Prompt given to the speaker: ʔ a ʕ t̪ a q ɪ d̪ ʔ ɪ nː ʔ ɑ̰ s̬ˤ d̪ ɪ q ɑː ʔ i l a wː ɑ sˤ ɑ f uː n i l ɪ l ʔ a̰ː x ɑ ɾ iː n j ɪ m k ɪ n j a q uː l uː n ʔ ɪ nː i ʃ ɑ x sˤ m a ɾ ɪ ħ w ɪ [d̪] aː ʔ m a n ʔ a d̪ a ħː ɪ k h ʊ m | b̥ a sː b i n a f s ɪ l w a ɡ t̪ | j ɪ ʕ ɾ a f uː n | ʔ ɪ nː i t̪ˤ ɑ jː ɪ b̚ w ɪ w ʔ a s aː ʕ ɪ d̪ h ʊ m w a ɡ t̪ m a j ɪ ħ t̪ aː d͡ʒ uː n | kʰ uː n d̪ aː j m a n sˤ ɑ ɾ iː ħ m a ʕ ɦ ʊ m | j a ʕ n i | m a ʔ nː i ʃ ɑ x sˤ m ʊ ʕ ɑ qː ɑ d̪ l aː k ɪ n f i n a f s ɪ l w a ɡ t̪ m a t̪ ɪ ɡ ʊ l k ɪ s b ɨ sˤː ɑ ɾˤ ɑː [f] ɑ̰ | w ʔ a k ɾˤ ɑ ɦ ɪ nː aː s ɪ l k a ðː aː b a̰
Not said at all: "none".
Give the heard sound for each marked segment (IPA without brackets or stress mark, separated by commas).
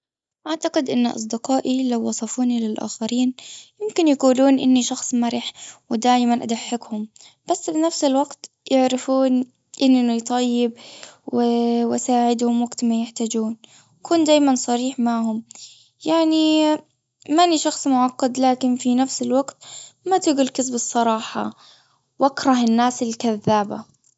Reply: d̪, ħ